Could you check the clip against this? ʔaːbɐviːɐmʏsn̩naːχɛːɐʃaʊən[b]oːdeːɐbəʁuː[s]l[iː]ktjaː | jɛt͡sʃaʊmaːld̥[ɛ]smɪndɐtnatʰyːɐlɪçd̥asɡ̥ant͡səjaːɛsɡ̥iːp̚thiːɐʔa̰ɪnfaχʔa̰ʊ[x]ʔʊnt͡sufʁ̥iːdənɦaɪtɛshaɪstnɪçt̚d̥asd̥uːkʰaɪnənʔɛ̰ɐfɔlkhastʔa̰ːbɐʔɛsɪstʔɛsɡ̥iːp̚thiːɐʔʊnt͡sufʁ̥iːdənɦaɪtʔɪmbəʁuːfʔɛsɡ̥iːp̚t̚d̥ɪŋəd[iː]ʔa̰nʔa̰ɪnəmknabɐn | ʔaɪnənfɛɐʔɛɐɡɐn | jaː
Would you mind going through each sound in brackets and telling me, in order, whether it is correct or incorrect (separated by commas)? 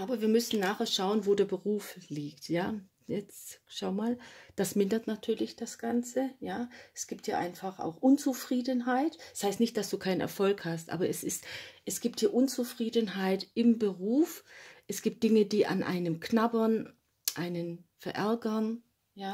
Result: incorrect, incorrect, correct, incorrect, correct, correct